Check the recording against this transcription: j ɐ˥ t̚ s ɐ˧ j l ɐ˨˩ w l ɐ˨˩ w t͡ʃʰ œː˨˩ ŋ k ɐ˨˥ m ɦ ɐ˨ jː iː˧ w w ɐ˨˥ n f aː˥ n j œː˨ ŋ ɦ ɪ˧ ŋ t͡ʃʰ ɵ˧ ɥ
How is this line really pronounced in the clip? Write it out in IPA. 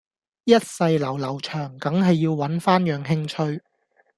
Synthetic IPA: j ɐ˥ t̚ s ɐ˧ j l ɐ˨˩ w l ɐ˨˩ w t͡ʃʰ œː˨˩ ŋ k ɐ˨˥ ŋ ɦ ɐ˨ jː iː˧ w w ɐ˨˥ n f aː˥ n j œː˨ ŋ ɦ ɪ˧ ŋ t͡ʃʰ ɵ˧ ɥ